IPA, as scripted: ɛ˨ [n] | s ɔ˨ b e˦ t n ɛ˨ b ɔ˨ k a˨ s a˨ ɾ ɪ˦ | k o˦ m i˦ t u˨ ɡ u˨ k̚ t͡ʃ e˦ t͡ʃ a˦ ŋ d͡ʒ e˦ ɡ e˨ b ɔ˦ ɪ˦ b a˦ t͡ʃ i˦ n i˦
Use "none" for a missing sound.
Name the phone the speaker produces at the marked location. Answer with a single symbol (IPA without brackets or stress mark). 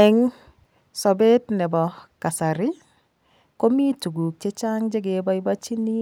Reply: ŋ